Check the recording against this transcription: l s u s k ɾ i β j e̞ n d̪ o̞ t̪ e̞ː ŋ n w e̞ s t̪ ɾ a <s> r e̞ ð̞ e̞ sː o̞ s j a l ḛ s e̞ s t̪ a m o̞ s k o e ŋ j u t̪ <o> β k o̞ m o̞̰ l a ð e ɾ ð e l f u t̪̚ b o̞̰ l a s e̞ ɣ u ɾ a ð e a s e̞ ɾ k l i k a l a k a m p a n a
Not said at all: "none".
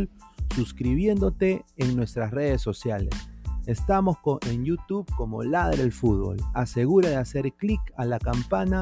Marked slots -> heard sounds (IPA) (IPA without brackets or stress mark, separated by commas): s, u